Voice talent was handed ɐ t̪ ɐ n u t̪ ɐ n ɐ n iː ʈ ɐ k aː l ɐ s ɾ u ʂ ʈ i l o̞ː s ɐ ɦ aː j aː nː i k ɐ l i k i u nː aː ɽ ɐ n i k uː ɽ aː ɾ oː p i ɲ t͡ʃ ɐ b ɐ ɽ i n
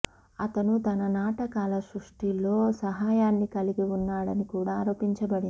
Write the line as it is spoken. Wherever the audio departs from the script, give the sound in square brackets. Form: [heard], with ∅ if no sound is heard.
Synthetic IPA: ɐ t̪ ɐ n u t̪ ɐ n ɐ n [aː] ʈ ɐ k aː l ɐ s ɾ u ʂ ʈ i l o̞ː s ɐ ɦ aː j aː nː i k ɐ l i [ɡ] i u nː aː ɽ ɐ n i k uː ɽ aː ɾ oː p i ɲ t͡ʃ ɐ b ɐ ɽ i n